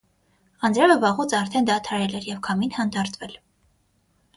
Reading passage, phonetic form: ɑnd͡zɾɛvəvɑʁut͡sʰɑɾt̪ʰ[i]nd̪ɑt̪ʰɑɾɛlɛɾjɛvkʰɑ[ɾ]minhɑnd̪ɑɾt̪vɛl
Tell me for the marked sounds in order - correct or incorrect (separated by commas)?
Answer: incorrect, incorrect